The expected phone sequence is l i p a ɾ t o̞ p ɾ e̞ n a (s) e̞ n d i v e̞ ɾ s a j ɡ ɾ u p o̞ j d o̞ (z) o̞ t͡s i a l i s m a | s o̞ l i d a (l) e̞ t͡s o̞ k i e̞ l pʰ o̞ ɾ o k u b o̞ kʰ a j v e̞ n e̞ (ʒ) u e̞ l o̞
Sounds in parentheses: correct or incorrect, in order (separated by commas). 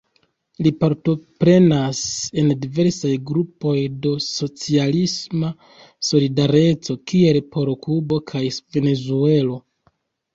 correct, incorrect, incorrect, incorrect